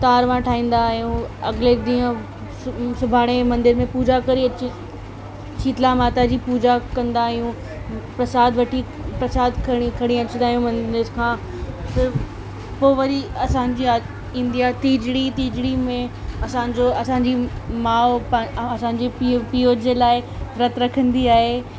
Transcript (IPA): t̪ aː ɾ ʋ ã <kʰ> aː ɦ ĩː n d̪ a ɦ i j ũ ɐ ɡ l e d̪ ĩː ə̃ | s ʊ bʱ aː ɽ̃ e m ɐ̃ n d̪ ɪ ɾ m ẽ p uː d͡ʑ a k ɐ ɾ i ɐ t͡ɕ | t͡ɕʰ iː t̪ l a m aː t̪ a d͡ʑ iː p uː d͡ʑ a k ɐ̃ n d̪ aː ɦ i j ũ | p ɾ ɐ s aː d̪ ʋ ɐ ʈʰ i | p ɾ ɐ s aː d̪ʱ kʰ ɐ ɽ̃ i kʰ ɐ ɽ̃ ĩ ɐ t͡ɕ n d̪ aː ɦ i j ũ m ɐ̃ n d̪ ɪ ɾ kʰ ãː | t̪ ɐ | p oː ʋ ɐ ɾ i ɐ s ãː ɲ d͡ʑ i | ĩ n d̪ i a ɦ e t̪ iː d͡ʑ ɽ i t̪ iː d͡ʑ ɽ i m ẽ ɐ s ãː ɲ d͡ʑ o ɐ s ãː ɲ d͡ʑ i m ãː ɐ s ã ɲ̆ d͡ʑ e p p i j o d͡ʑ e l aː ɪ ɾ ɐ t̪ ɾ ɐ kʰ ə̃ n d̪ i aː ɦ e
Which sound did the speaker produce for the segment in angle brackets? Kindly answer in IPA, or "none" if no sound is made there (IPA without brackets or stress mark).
ʈʰ